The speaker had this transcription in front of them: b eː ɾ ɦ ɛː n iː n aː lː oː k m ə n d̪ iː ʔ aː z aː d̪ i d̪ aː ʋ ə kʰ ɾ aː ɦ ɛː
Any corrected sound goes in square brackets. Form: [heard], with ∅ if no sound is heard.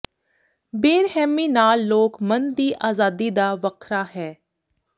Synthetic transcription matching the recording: b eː ɾ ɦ ɛː [m] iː n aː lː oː k m ə n d̪ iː ʔ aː z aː d̪ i d̪ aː ʋ ə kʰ ɾ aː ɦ ɛː